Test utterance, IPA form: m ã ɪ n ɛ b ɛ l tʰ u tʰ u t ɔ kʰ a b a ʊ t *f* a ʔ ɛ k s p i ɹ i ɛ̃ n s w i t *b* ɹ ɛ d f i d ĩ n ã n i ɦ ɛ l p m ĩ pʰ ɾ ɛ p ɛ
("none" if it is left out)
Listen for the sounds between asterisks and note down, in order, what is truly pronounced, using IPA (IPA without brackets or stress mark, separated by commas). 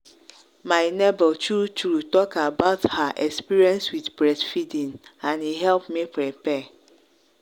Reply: h, b